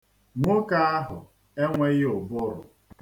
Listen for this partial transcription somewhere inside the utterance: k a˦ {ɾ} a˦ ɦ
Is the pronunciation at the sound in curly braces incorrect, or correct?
incorrect